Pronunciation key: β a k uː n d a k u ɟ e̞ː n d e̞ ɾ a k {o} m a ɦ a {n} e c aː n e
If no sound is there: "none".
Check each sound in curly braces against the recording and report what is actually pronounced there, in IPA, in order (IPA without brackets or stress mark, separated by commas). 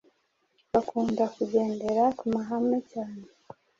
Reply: u, m